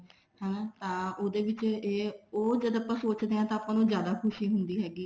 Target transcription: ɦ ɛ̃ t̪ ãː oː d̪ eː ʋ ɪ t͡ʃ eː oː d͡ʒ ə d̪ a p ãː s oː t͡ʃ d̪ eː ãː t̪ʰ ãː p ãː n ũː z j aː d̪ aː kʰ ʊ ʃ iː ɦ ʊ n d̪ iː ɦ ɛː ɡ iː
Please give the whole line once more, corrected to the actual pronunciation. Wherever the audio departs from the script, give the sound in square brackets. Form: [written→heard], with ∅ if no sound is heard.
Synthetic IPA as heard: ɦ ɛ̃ t̪ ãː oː d̪ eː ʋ ɪ t͡ʃ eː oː d͡ʒ ə d̪ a p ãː s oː t͡ʃ d̪ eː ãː [t̪ʰ→t̪] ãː p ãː n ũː z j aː d̪ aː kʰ ʊ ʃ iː ɦ ʊ n d̪ iː ɦ ɛː ɡ iː